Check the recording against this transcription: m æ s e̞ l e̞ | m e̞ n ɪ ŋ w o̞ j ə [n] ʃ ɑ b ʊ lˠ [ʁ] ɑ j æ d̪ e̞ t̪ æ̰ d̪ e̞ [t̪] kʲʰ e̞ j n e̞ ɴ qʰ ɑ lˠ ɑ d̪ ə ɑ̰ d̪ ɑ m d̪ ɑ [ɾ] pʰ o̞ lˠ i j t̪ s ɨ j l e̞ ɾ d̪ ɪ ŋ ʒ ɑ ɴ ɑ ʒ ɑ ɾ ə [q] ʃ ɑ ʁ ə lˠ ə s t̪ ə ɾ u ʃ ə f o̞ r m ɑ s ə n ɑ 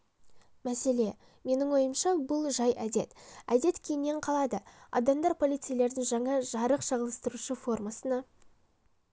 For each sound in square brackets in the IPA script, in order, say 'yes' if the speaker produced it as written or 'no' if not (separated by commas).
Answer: no, no, yes, yes, yes